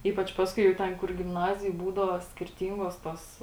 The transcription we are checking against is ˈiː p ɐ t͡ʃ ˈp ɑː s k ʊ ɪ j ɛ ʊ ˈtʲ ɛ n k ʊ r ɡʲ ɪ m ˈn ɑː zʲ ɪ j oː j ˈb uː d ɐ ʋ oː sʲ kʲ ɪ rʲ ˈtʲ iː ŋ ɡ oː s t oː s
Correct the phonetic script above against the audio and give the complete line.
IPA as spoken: ˈiː p ɐ t͡ʃ ˈp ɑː s k ʊ ɪ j ɛ ʊ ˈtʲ ɛ n k ʊ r ɡʲ ɪ m ˈn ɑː zʲ ɪ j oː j ˈb uː d ɐ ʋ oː sʲ kʲ ɪ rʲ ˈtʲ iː ŋ ɡ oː s t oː s